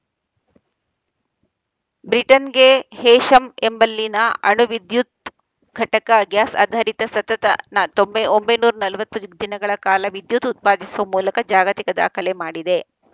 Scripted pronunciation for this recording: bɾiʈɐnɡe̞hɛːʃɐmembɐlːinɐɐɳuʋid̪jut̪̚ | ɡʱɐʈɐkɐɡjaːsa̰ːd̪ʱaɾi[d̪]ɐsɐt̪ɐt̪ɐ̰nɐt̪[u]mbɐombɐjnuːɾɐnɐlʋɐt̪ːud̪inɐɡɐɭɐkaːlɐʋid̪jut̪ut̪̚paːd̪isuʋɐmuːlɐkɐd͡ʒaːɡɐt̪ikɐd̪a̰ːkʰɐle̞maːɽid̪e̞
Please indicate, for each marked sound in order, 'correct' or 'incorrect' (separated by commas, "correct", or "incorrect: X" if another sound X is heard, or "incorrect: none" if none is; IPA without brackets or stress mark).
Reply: incorrect: t̪, incorrect: o